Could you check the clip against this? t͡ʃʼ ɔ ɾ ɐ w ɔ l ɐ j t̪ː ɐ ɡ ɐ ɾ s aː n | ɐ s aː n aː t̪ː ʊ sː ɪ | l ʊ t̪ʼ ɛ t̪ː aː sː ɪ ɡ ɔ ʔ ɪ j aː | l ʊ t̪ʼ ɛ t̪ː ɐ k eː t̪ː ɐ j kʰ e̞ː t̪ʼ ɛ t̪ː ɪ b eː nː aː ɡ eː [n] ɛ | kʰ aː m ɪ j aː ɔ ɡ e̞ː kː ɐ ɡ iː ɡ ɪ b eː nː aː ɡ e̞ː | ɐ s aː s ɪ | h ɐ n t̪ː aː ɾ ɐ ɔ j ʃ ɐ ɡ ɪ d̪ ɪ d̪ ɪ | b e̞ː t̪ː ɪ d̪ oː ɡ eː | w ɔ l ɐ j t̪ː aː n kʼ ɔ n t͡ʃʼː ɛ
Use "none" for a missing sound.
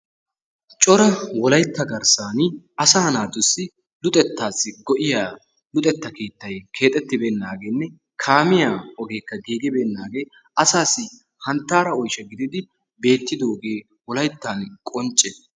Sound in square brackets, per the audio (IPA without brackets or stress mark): nː